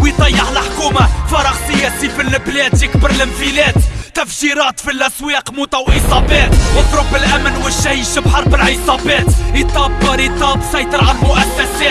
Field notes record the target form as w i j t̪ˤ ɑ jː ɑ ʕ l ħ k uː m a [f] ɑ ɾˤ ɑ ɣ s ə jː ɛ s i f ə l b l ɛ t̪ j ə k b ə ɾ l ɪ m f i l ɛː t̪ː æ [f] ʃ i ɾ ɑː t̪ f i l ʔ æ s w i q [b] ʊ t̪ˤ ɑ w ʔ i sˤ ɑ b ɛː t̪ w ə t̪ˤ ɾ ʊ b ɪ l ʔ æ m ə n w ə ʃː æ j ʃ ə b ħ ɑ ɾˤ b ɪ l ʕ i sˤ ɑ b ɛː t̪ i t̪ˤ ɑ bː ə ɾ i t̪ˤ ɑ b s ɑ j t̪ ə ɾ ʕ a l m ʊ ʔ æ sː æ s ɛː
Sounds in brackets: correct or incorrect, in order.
correct, correct, incorrect: m

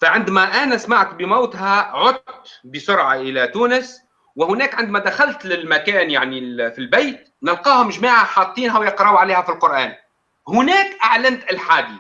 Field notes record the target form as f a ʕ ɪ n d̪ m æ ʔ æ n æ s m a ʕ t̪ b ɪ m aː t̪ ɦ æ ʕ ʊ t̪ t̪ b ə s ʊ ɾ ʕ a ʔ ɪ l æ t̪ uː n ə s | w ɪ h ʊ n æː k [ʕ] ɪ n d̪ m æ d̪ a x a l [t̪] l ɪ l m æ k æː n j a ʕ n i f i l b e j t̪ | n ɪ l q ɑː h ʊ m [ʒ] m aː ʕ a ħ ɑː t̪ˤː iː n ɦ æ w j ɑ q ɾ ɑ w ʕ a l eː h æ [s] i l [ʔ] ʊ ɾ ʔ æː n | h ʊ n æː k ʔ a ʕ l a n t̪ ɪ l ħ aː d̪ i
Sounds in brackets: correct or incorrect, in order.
correct, correct, correct, incorrect: f, incorrect: q

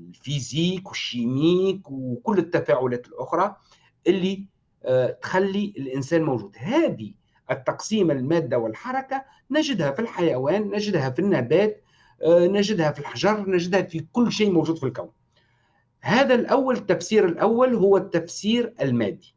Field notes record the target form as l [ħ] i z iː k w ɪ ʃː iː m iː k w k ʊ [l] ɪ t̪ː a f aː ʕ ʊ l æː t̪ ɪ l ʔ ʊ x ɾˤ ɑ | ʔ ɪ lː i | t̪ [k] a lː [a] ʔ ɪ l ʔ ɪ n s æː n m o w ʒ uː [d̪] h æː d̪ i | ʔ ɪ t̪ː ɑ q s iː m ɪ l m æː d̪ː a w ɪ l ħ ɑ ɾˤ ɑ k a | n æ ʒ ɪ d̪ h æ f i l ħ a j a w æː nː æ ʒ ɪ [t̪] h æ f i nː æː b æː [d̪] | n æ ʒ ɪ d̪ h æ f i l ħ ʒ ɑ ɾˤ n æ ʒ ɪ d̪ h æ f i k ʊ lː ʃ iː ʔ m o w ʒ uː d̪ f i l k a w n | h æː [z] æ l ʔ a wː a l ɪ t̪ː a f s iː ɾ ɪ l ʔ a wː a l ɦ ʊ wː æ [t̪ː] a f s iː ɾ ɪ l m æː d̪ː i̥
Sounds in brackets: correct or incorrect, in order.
incorrect: f, incorrect: lː, incorrect: x, incorrect: i, correct, incorrect: d̪, incorrect: t̪, incorrect: ð, correct

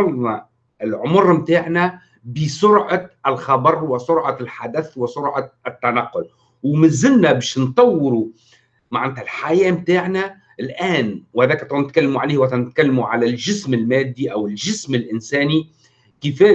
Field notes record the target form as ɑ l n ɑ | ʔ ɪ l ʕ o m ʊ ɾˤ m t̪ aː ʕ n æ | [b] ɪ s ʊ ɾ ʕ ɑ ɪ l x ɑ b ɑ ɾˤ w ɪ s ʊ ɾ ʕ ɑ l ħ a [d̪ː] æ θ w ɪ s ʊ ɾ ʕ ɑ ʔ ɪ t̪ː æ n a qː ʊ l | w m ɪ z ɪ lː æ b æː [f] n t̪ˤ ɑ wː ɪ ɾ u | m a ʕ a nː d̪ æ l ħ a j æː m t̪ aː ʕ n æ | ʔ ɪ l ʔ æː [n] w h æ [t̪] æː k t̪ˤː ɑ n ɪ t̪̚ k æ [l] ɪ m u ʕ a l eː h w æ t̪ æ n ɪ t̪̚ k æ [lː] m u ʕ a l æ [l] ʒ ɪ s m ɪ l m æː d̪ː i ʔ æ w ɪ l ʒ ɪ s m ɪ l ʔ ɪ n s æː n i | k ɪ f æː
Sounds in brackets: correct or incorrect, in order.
correct, incorrect: d̪, incorrect: ʃ, correct, incorrect: d̪, incorrect: lː, correct, correct

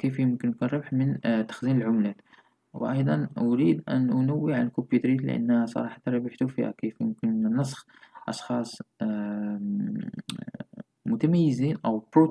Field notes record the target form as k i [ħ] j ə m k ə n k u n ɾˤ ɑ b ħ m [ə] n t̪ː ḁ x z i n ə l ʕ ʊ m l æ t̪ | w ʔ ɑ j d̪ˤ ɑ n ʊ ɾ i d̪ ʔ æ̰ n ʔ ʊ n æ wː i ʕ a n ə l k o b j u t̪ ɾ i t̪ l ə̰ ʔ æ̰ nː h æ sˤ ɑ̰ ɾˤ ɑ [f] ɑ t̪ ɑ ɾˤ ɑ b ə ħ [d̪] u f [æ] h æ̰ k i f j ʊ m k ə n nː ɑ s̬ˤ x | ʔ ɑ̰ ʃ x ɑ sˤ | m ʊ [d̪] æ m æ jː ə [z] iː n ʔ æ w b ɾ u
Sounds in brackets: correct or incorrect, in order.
incorrect: f, correct, incorrect: ħ, incorrect: t̪, incorrect: i, incorrect: t̪, correct

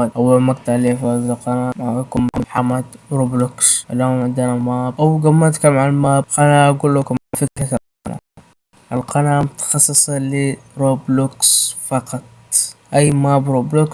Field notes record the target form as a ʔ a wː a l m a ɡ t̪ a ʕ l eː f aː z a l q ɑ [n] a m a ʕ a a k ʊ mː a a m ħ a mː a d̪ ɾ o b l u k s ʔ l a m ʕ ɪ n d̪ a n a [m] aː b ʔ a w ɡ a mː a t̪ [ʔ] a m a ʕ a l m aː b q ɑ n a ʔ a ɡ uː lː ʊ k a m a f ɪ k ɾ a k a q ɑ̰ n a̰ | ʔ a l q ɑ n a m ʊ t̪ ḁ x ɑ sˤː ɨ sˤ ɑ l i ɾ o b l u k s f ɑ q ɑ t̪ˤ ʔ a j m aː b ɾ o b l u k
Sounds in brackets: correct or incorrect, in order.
correct, correct, incorrect: k

